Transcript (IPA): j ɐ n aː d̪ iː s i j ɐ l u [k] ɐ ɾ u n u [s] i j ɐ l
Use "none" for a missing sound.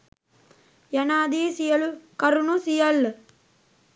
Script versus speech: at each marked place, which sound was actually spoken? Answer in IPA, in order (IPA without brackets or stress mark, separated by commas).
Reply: k, s